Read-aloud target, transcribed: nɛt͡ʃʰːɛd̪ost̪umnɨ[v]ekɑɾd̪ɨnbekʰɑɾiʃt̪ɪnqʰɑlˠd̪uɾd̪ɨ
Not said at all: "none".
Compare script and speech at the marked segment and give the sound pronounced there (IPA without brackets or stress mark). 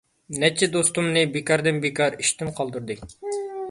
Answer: b